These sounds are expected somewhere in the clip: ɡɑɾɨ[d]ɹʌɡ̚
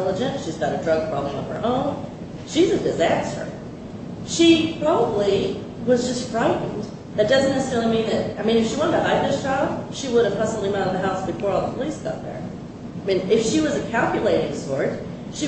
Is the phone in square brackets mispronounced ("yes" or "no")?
no